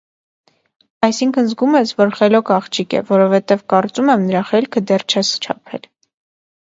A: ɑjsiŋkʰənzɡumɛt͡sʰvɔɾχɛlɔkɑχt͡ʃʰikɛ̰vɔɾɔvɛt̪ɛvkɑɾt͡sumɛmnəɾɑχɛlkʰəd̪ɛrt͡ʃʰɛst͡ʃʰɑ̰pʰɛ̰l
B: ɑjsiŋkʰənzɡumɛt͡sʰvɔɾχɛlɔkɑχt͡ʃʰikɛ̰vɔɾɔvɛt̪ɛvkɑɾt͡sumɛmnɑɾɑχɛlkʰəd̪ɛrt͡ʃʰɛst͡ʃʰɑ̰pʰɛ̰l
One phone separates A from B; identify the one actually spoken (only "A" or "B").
A